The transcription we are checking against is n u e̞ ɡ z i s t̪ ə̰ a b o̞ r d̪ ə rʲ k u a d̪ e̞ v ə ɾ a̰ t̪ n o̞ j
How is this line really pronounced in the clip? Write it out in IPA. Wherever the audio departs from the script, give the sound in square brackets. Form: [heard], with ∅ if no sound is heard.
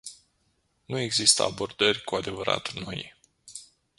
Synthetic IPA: n u e̞ ɡ z i s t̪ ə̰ a b o̞ r d̪ ə rʲ k u a d̪ e̞ v ə ɾ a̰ t̪ n o̞ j